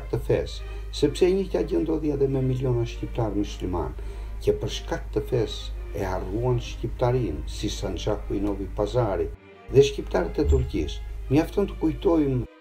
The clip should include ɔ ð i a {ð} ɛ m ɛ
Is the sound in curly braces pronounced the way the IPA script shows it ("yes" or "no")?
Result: yes